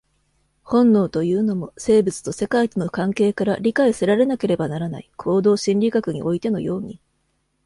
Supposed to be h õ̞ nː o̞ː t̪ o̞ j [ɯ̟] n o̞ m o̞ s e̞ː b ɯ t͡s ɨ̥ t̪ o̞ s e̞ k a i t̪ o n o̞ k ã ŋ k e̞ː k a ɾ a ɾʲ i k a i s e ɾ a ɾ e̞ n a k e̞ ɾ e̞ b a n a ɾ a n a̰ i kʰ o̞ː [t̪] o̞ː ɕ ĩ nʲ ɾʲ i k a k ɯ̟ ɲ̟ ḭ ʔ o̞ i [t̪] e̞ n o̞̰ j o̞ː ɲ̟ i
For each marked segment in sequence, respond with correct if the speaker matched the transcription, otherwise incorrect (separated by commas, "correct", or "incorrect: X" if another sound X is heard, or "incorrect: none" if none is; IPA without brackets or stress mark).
incorrect: ɯ̟ː, incorrect: d̪, correct